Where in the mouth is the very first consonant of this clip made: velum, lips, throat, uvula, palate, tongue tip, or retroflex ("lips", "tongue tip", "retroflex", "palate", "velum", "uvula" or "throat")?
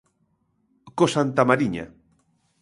velum